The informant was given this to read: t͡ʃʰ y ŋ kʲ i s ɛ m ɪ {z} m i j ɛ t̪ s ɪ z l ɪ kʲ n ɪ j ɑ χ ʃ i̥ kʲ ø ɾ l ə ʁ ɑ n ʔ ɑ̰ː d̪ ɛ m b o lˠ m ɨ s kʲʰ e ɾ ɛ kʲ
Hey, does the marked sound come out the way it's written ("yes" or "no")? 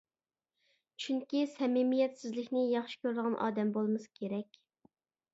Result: no